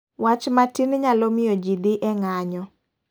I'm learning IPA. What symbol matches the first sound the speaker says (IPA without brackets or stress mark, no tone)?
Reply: w